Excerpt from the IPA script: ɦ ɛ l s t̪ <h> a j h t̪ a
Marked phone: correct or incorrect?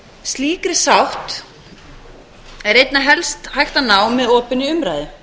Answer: correct